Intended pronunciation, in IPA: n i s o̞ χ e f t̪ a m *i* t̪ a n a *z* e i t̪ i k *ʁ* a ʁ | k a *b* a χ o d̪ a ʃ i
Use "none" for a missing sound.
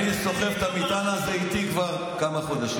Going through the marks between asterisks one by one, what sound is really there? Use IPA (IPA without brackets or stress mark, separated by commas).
i, z, v, m